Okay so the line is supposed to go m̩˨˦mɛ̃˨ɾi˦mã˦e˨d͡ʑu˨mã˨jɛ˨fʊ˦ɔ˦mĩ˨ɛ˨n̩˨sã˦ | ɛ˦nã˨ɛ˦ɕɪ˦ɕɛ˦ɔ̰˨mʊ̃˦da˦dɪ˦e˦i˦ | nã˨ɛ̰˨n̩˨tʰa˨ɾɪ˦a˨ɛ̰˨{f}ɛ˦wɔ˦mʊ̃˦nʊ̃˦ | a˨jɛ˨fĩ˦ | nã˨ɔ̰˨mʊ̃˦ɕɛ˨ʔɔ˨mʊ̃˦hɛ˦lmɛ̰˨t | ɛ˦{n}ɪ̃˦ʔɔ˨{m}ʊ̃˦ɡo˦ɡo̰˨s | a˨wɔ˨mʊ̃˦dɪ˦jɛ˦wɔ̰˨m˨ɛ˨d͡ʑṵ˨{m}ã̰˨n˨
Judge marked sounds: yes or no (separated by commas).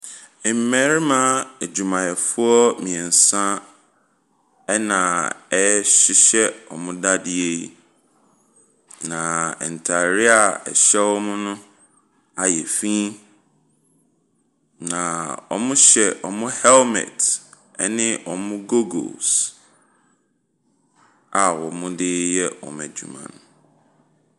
no, yes, yes, yes